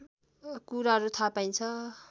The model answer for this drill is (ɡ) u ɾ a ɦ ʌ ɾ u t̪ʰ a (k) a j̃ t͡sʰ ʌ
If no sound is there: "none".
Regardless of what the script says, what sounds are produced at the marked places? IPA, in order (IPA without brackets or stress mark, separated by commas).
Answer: k, p